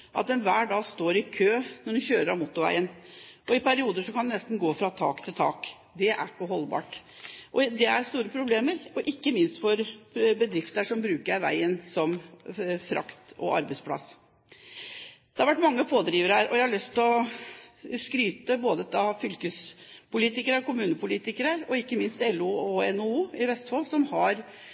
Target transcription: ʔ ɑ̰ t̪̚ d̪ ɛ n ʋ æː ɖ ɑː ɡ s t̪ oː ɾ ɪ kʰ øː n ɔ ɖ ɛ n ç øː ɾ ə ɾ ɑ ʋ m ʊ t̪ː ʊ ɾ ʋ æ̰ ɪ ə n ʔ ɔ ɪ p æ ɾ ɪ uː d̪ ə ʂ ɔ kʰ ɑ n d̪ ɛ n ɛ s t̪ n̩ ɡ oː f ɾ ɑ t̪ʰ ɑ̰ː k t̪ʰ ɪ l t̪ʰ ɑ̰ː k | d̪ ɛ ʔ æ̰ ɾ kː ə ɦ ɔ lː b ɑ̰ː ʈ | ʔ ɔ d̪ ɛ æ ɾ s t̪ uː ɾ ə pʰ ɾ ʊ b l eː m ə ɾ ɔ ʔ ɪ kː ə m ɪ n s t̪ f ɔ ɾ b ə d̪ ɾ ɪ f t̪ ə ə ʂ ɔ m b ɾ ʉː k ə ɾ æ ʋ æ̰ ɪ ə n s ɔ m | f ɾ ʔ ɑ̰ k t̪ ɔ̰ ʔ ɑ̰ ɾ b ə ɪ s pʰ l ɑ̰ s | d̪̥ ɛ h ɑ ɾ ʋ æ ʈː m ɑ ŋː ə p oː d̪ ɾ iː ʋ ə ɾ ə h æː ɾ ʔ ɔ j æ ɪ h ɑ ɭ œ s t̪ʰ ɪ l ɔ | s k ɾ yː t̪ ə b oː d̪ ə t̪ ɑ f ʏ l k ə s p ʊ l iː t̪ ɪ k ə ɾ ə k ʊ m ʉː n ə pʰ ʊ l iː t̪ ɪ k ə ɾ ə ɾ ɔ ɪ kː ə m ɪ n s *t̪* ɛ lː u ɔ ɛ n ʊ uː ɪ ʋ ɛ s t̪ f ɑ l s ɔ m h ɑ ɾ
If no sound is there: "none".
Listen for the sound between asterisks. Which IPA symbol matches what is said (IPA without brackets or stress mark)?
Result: t̪